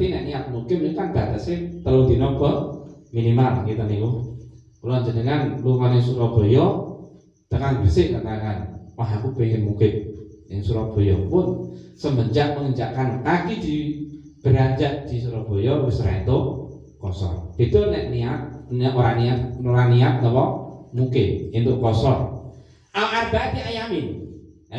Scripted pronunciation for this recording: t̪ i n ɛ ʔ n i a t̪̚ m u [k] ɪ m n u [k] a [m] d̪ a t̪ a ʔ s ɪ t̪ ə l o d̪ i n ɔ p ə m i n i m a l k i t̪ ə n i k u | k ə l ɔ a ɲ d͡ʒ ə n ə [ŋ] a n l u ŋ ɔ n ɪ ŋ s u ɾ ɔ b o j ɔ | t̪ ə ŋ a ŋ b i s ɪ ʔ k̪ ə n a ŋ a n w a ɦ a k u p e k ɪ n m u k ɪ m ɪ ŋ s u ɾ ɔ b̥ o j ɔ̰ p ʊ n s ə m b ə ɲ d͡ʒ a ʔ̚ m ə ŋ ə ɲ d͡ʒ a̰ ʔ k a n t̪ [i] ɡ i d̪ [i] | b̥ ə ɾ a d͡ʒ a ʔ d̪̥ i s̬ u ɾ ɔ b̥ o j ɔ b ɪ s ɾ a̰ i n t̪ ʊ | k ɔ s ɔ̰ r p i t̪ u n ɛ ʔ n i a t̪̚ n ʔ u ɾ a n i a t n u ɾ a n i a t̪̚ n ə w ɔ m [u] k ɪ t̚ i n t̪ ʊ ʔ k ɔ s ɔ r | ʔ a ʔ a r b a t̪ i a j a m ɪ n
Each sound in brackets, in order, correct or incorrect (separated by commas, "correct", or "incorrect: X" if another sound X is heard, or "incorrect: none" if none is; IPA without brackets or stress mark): correct, correct, incorrect: n, correct, incorrect: a, correct, correct